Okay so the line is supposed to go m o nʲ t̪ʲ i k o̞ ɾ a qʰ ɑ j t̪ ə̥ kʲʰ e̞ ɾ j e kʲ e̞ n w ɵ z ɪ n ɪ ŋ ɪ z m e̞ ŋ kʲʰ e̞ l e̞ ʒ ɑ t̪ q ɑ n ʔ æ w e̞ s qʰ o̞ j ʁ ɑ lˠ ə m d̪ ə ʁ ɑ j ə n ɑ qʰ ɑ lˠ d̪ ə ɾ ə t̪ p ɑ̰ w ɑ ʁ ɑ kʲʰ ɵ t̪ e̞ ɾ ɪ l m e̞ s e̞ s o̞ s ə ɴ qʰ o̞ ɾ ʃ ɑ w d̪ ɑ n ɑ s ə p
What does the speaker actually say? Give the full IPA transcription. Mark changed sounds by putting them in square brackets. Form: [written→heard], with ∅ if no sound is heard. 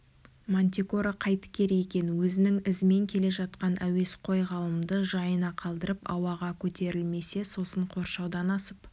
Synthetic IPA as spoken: m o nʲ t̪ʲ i k o̞ ɾ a qʰ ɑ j t̪ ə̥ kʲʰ e̞ ɾ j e kʲ e̞ n w ɵ z ɪ n ɪ ŋ ɪ z m e̞ ŋ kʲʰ e̞ l e̞ ʒ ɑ t̪ q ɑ n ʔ æ w e̞ s qʰ o̞ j ʁ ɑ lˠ ə m d̪ ə [ʁ→ʒ] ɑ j ə n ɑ qʰ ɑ lˠ d̪ ə ɾ ə [t̪→∅] p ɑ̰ w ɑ ʁ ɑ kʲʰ ɵ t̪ e̞ ɾ ɪ l m e̞ s e̞ s o̞ s ə ɴ qʰ o̞ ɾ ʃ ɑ w d̪ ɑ n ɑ s ə p